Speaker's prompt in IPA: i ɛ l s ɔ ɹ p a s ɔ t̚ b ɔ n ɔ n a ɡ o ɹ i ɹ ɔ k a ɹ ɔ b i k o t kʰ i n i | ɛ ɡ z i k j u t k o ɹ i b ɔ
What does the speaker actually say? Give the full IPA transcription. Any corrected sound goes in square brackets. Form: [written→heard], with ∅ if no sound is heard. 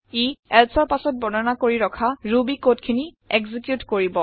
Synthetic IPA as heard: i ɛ l s ɔ ɹ p a s ɔ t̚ b ɔ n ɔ n a [ɡ→k] o ɹ i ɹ ɔ [k→kʰ] a ɹ [ɔ→u] b i k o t kʰ i n i | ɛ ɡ z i k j u t k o ɹ i b ɔ

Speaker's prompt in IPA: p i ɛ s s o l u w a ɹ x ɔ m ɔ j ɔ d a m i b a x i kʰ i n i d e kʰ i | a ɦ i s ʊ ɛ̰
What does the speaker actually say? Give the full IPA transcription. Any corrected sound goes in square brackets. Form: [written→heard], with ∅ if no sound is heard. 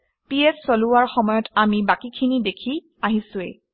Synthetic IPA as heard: p i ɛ s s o l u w a ɹ x ɔ m ɔ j ɔ [d→t] a m i b a [x→k] i kʰ i n i d e kʰ i | a ɦ i s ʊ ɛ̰

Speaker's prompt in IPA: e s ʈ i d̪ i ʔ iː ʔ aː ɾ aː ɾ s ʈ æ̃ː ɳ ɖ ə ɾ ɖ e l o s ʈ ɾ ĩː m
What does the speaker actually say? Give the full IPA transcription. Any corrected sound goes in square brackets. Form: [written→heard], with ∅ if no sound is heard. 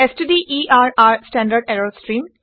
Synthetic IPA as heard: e s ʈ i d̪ i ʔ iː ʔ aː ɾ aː ɾ s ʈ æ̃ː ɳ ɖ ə ɾ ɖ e [l→ɾ] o s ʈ ɾ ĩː m

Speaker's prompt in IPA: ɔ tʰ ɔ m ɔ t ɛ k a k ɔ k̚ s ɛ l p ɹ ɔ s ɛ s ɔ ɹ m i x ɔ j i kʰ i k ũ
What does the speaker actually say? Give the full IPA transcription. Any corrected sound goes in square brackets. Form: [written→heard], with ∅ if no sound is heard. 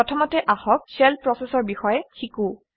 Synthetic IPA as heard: ɔ tʰ ɔ m ɔ t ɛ [k→ʔ] a [k→x] ɔ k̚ s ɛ l p ɹ ɔ s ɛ s ɔ ɹ [m→b] i x ɔ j [i→ɛ] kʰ i k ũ

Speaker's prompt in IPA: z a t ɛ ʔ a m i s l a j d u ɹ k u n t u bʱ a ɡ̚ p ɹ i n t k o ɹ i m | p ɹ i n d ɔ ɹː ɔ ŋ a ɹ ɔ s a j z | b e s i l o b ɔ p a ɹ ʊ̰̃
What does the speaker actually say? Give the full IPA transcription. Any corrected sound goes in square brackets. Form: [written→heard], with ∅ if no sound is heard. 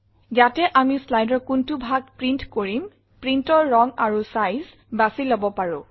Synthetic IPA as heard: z a t ɛ ʔ a m i s l a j d [u→ɔ] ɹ k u n t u bʱ a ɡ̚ p ɹ i n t k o ɹ i m | p ɹ i n [d→t] ɔ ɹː ɔ ŋ a ɹ [ɔ→u] s a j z | b [e→a] s i l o b ɔ p a ɹ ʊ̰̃

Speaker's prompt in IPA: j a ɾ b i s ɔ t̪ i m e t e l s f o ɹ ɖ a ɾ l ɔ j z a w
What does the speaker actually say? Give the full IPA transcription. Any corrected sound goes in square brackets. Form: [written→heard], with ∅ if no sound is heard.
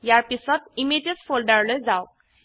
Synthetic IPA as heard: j a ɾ [b→p] i s ɔ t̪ i m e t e [l→∅] s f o [ɹ→l] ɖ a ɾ l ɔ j [z→d͡z] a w

